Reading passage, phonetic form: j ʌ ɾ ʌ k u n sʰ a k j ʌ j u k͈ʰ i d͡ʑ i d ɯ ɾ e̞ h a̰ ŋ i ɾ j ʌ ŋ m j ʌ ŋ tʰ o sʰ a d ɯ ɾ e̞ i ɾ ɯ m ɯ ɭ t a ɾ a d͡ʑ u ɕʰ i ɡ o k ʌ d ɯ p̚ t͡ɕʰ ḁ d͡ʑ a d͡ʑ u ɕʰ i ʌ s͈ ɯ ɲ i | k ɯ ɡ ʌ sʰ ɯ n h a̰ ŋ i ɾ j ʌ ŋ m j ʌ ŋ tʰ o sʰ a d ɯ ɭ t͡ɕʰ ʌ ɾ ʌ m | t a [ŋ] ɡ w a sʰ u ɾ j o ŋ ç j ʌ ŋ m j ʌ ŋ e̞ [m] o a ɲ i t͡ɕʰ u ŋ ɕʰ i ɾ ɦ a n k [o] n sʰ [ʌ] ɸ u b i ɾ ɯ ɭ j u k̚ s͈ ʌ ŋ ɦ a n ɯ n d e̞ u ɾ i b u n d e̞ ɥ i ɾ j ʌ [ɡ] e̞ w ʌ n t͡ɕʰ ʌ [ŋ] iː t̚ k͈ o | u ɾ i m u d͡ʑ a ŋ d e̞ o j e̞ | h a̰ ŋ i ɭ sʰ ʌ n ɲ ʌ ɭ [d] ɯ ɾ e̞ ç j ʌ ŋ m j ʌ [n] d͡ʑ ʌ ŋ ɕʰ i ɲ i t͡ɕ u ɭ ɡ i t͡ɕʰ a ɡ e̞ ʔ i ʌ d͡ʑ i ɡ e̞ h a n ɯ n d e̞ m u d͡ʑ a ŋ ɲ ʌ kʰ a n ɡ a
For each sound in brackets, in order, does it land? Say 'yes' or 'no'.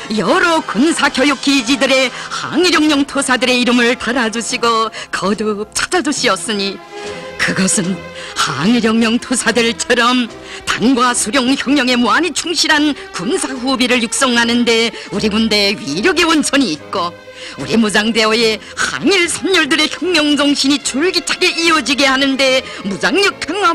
yes, yes, no, no, yes, no, yes, no

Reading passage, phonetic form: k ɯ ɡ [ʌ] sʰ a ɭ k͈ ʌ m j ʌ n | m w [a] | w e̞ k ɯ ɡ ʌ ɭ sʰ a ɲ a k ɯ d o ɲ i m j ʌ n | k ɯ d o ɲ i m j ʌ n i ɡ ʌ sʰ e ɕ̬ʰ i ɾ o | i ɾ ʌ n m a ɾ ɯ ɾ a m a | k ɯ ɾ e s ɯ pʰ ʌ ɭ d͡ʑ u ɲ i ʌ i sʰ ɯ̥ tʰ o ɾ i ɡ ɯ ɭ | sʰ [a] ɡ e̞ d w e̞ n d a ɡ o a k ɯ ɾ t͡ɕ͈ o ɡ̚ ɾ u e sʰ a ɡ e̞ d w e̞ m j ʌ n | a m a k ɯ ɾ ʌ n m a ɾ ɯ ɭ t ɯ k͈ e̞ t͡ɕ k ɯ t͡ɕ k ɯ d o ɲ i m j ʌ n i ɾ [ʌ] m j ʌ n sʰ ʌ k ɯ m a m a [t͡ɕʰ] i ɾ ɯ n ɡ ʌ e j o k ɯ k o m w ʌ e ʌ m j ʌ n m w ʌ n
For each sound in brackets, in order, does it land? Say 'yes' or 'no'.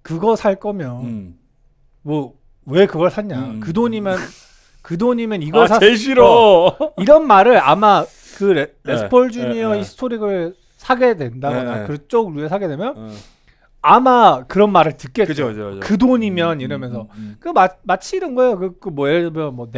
yes, no, yes, yes, yes

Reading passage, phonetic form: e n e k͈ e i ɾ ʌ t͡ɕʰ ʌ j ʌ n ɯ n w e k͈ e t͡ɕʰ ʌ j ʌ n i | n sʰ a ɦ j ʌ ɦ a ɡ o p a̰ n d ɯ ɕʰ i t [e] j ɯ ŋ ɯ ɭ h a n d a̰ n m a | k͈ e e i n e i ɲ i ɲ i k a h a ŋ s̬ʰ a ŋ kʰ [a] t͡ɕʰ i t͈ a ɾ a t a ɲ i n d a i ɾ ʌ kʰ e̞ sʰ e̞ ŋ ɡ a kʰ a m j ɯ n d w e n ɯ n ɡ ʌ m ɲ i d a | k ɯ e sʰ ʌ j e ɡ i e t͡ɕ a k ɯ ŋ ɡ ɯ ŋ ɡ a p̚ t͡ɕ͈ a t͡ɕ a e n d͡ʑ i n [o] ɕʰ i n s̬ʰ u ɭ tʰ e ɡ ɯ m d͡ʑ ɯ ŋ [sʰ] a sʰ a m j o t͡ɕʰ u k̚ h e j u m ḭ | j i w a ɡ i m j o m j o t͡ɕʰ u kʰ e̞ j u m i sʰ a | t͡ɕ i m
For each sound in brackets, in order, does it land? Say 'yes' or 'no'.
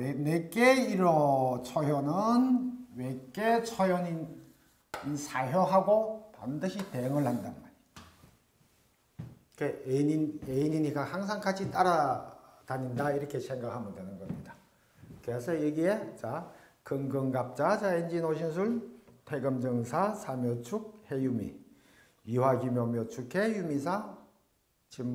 yes, yes, yes, yes

